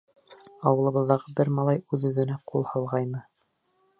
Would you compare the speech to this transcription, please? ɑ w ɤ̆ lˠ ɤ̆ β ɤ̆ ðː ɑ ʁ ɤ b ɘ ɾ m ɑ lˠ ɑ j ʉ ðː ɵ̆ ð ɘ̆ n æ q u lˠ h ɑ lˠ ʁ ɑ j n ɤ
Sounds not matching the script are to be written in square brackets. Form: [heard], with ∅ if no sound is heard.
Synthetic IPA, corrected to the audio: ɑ w ɤ̆ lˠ ɤ̆ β ɤ̆ ðː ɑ ʁ ɤ b ɘ ɾ m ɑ lˠ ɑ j ʉ [ð] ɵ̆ ð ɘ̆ n æ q u lˠ h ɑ lˠ ʁ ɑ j n ɤ